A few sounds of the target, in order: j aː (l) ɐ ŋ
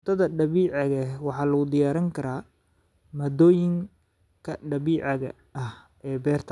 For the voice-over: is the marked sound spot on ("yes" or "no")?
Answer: no